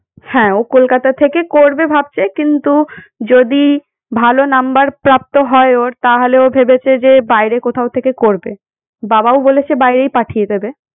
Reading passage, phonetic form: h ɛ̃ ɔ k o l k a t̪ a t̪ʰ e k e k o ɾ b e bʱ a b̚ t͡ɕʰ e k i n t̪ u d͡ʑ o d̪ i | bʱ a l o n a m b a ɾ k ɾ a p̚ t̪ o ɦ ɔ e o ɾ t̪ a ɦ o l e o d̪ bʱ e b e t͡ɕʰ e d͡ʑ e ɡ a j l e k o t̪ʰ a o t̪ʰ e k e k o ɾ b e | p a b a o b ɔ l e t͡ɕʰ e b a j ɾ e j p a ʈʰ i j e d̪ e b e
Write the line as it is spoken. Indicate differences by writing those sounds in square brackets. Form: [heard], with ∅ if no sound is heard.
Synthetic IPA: h ɛ̃ [o] k o l k a t̪ a t̪ʰ e k e k o ɾ b e bʱ a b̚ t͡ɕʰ e k i n t̪ u d͡ʑ o d̪ i | bʱ a l o n a m b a ɾ [p] ɾ a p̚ t̪ o ɦ ɔ e o ɾ t̪ a ɦ o l e o [∅] bʱ e b e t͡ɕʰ e d͡ʑ e [b] a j [ɾ] e k o t̪ʰ a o t̪ʰ e k e k o ɾ b e | [b] a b a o b [o] l e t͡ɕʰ e b a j ɾ e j p a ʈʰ i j e d̪ e b e